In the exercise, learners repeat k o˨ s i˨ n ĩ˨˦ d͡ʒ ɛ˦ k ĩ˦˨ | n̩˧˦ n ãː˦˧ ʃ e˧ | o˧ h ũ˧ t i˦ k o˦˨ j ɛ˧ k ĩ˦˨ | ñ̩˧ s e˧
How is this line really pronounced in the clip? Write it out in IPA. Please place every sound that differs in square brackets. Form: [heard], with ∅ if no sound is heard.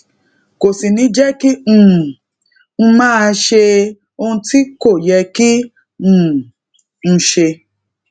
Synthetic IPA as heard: k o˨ s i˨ n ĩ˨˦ d͡ʒ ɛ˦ k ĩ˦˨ | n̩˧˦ [m] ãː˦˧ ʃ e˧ | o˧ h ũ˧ t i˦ k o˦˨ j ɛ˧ k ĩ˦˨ | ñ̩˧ [ʃ] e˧